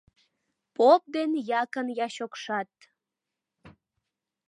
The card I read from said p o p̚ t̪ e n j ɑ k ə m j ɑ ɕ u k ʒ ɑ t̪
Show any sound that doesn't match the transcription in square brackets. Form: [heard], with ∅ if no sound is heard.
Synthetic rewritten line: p o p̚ [d̪] e n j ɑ k ə [n] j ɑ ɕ [o] k [ʃ] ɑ t̪